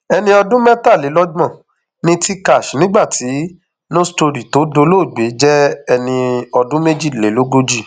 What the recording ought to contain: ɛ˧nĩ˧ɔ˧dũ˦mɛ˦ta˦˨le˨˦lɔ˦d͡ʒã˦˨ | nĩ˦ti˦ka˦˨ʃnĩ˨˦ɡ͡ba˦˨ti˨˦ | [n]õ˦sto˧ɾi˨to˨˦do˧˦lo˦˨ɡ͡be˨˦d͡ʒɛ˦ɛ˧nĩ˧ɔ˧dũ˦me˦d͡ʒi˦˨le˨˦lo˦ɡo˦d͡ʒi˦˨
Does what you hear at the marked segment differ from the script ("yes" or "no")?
no